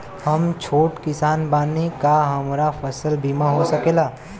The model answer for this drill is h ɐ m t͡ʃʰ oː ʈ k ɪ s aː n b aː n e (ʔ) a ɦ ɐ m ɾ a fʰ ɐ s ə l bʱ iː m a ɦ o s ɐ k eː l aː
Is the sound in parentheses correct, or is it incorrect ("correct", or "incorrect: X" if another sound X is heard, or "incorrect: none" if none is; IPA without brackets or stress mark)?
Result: incorrect: k